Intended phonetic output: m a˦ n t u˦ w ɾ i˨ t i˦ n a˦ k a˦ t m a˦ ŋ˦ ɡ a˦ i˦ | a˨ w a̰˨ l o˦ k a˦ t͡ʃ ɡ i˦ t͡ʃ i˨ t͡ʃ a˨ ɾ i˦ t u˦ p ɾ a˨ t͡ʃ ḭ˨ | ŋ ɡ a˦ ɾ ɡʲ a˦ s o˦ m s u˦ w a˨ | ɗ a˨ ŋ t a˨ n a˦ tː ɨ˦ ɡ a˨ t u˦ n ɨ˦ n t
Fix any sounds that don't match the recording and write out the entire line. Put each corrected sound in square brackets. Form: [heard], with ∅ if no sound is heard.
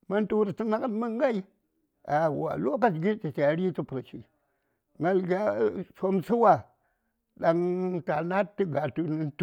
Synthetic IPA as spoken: m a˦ n t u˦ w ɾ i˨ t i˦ n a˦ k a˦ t m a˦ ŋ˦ ɡ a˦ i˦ | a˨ w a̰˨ l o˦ k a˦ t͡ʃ ɡ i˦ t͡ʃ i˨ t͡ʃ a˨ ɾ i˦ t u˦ p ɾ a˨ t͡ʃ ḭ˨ | ŋ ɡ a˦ [l] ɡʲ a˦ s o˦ m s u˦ w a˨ | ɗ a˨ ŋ t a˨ n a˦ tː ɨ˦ ɡ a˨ t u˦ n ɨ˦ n t